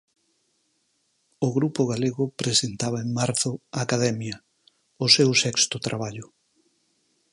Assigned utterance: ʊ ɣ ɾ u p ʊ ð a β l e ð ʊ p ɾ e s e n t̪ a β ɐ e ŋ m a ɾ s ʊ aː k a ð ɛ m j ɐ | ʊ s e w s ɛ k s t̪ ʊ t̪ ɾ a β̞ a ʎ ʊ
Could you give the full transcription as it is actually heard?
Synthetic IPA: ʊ ɣ ɾ u p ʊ ɣ a l e ɣ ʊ p ɾ e s e n t̪ a β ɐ e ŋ m a ɾ θ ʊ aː k a ð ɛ m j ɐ | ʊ s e w s ɛ k s t̪ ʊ t̪ ɾ a β̞ a ʎ ʊ